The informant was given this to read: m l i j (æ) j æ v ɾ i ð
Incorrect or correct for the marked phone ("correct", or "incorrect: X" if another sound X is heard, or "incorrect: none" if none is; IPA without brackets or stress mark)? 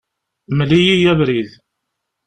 incorrect: i